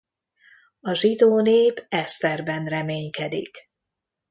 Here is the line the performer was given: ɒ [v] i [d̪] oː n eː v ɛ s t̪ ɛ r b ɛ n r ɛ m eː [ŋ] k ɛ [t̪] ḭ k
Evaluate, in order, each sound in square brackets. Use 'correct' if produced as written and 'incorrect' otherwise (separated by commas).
incorrect, correct, incorrect, incorrect